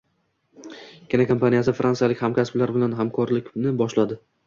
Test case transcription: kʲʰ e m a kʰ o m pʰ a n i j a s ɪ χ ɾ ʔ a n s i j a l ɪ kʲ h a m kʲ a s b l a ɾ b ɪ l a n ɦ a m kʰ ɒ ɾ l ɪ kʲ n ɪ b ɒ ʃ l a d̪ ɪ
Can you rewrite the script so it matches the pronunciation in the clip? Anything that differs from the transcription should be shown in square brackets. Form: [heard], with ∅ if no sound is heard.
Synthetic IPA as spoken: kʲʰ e [n] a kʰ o m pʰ a n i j a s ɪ [f] ɾ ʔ a n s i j a l ɪ kʲ h a m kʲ a s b l a ɾ b ɪ l a n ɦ a m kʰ ɒ ɾ l ɪ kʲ n ɪ b ɒ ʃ l a d̪ ɪ